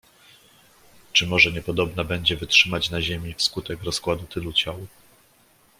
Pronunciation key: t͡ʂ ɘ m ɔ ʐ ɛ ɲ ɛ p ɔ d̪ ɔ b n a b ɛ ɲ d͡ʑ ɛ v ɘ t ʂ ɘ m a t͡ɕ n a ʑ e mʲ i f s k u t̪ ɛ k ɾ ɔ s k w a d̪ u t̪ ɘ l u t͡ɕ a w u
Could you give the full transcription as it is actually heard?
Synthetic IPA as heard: t͡ʂ ɘ m ɔ ʐ ɛ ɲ ɛ p ɔ d̪ ɔ b n a b ɛ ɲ d͡ʑ ɛ v ɘ t ʂ ɘ m a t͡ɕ n a ʑ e mʲ i f s k u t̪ ɛ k ɾ ɔ s k w a d̪ u t̪ ɘ l u t͡ɕ a w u